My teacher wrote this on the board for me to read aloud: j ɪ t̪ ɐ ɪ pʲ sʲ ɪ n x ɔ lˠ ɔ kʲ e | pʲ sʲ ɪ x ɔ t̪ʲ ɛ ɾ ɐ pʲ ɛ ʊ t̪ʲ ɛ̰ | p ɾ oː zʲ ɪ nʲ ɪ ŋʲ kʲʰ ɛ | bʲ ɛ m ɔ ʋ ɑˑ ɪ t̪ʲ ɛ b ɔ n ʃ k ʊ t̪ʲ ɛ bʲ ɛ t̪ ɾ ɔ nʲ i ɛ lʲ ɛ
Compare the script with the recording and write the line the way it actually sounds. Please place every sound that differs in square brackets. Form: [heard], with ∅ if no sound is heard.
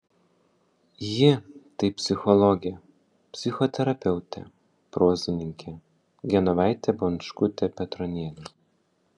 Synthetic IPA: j ɪ t̪ ɐ ɪ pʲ sʲ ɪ [∅] x ɔ lˠ ɔ [ɡʲ] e | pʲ sʲ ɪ x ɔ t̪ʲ ɛ ɾ ɐ pʲ ɛ ʊ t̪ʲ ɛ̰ | p ɾ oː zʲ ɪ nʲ ɪ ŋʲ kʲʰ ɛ | [ɡʲ] ɛ [n] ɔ ʋ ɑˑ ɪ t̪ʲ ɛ b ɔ n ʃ k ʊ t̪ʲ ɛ [pʲ] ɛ t̪ ɾ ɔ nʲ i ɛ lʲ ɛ